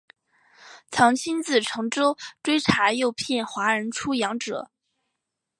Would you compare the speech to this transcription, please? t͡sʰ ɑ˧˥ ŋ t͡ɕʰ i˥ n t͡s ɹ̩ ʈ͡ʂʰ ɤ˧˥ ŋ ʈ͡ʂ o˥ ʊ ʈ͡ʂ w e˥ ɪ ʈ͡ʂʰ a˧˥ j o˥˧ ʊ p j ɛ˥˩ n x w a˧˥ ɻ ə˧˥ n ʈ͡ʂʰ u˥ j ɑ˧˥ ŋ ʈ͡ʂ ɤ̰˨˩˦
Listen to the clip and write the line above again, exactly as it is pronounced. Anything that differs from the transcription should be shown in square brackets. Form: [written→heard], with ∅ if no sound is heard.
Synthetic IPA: t͡sʰ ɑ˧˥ ŋ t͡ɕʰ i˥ n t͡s ɹ̩ ʈ͡ʂʰ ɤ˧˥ ŋ ʈ͡ʂ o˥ ʊ ʈ͡ʂ w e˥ ɪ ʈ͡ʂʰ a˧˥ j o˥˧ ʊ [p→pʰ] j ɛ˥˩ n x w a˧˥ ɻ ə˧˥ n ʈ͡ʂʰ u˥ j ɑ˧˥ ŋ ʈ͡ʂ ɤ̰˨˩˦